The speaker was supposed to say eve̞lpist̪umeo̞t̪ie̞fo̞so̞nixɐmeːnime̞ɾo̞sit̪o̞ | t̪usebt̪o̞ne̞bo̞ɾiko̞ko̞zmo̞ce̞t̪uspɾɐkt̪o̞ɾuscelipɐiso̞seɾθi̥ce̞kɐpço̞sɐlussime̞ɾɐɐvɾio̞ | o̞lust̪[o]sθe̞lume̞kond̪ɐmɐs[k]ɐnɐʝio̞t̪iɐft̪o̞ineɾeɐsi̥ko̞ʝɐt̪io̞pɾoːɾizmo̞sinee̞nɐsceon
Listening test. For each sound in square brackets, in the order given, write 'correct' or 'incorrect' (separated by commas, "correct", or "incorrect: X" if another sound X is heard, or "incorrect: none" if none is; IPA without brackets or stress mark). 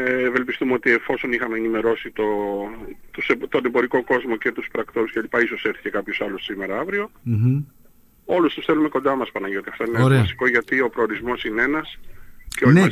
incorrect: u, incorrect: p